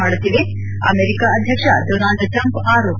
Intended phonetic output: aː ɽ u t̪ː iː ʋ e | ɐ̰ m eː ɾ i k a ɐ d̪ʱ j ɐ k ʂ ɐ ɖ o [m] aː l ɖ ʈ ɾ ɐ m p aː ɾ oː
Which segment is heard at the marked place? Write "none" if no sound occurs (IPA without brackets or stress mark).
n